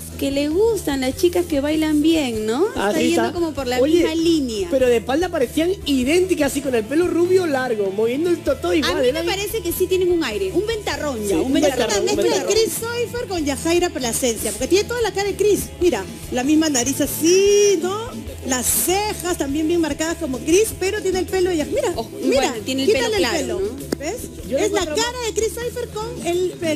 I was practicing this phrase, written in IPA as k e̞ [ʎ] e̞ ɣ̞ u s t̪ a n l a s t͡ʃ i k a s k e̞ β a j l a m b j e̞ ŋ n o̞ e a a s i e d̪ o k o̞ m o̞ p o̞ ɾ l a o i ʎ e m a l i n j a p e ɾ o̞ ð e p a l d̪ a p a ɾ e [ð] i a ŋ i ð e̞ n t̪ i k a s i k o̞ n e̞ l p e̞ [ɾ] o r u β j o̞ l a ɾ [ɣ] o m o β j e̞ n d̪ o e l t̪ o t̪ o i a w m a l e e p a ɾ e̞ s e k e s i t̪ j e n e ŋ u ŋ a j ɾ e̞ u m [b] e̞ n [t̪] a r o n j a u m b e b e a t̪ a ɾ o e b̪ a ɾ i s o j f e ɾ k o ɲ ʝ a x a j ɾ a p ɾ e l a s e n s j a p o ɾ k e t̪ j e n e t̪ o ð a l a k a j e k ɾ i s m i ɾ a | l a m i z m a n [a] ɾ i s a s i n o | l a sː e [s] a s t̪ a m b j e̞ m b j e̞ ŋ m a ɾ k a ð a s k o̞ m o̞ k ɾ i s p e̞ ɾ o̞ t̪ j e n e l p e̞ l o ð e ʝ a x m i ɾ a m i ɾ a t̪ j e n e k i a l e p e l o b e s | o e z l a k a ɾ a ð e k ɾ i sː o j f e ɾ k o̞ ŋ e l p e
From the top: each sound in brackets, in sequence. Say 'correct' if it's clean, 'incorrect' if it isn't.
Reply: incorrect: l, incorrect: θ, incorrect: l, correct, correct, correct, correct, incorrect: x

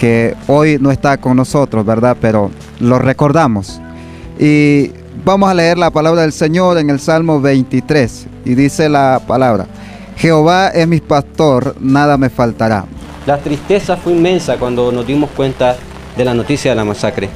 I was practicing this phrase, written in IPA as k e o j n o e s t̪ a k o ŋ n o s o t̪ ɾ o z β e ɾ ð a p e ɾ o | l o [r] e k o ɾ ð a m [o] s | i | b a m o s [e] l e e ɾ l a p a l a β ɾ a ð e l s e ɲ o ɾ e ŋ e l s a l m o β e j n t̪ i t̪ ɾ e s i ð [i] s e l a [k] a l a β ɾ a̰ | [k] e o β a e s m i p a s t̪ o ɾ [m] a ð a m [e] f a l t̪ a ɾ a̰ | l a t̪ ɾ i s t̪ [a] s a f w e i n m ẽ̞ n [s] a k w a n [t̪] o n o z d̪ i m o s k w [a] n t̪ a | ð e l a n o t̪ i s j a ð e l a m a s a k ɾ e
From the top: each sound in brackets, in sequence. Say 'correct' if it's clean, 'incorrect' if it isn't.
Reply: correct, correct, incorrect: a, correct, incorrect: p, incorrect: x, incorrect: n, correct, incorrect: e, correct, incorrect: d̪, incorrect: e

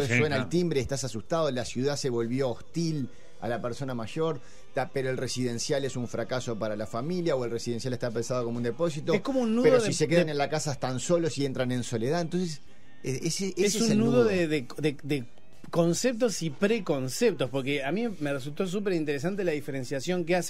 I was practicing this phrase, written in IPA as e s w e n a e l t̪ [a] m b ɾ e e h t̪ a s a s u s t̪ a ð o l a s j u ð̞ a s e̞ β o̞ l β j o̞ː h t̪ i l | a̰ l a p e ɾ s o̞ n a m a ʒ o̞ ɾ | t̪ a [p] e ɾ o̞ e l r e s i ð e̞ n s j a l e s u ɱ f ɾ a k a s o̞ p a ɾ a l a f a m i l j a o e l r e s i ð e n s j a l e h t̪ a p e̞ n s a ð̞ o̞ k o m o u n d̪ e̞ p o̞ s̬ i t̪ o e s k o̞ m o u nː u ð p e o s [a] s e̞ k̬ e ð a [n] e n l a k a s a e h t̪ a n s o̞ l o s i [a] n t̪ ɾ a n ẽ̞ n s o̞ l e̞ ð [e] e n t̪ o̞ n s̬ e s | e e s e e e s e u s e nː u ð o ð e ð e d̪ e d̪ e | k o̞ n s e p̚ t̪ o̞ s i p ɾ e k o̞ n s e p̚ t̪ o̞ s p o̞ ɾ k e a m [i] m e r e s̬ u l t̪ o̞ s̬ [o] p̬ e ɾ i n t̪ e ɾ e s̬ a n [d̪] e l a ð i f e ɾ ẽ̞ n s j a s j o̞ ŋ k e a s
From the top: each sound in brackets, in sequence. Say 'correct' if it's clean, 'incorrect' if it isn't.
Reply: incorrect: i, correct, incorrect: i, correct, incorrect: e, incorrect: a, correct, incorrect: u, incorrect: t̪

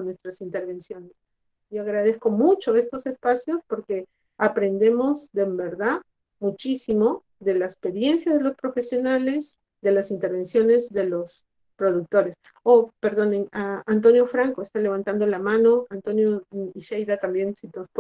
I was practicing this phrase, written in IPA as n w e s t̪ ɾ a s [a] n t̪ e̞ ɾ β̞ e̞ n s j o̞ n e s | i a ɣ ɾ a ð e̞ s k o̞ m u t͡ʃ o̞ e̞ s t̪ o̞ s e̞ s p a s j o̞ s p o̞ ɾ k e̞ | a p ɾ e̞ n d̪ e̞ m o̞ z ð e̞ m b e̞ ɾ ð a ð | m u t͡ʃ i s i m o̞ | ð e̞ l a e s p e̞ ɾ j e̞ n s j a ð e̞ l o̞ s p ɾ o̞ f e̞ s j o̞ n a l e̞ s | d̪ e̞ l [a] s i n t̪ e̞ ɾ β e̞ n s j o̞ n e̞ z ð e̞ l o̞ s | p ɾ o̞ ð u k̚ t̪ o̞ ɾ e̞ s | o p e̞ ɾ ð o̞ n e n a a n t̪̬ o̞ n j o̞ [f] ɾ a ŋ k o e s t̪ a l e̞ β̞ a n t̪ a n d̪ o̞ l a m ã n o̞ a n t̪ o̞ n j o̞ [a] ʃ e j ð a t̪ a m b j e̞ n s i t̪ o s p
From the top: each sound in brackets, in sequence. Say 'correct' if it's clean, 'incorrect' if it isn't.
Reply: incorrect: i, correct, correct, incorrect: i

